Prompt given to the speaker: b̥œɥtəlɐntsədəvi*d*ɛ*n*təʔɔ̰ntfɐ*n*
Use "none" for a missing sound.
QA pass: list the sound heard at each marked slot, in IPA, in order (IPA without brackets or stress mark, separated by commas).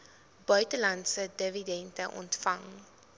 d, n, ŋ